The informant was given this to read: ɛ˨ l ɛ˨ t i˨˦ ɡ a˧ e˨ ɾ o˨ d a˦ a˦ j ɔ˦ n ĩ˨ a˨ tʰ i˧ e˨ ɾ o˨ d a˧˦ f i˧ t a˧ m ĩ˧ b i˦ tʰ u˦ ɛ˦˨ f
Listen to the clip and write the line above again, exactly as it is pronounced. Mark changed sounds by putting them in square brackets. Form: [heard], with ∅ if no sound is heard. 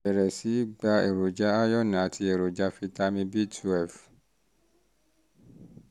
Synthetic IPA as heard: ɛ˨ [ɾ] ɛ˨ [s] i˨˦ [ɡ͡b] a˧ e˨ ɾ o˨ [d͡ʒ] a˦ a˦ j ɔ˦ n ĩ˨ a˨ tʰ i˧ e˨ ɾ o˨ [d͡ʒ] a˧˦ f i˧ t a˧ m ĩ˧ b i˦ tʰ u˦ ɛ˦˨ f